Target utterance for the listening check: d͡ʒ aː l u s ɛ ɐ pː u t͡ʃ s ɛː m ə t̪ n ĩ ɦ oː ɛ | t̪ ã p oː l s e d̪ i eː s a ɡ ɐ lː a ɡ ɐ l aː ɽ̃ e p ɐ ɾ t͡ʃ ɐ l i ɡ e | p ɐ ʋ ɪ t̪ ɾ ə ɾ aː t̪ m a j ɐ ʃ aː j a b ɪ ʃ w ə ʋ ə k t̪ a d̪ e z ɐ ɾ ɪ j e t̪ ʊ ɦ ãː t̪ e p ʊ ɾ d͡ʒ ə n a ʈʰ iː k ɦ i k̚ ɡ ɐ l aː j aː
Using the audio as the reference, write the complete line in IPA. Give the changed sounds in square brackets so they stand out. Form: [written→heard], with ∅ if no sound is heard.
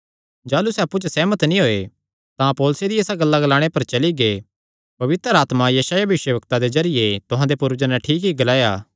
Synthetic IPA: d͡ʒ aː l u s ɛ ɐ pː u t͡ʃ s ɛː m ə t̪ n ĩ ɦ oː [ɛ→e] | t̪ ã p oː l s e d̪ i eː s a ɡ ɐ lː a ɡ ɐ l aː ɽ̃ e p ɐ ɾ t͡ʃ ɐ l i ɡ e | p ɐ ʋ ɪ t̪ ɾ ə ɾ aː t̪ m a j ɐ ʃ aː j a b ɪ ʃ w ə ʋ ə k t̪ a d̪ e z ɐ ɾ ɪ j e t̪ ʊ ɦ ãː [t̪→d̪] e p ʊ ɾ d͡ʒ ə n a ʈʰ iː k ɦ i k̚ ɡ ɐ l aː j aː